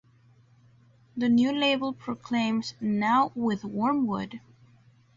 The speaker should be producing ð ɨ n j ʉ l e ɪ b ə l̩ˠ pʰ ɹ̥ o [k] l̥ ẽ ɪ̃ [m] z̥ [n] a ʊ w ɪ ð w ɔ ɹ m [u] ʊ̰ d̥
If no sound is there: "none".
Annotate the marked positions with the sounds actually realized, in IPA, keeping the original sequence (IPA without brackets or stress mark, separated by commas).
kʰ, m, n, w